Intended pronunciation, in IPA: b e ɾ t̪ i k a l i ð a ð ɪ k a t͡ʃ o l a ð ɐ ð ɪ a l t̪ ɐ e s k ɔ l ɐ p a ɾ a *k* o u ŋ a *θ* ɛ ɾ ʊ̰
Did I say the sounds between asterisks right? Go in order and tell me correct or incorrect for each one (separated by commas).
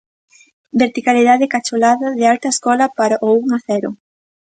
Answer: incorrect, correct